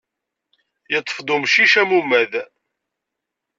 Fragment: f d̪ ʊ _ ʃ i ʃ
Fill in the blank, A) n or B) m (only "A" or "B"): B